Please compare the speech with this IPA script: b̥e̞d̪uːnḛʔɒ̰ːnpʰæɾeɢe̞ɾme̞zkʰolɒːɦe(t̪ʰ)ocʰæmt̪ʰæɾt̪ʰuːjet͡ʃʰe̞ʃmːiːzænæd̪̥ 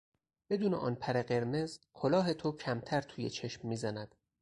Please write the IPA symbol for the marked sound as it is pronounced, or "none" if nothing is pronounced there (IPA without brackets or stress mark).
t̪ʰ